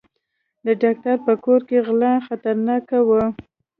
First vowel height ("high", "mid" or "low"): mid